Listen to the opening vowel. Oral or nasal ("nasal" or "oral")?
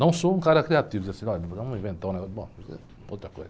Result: nasal